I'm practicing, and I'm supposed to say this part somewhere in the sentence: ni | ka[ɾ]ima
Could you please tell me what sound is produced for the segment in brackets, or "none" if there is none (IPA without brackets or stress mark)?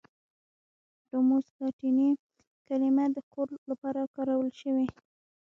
l